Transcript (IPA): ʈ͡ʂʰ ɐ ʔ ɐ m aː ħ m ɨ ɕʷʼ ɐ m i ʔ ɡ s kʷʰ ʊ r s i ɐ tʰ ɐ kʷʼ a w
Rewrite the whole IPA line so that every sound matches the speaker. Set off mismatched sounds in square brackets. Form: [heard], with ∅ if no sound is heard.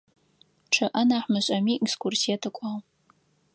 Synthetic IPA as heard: ʈ͡ʂʰ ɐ ʔ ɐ [n] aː ħ m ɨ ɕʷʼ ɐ m i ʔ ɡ s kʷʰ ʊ r s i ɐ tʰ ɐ kʷʼ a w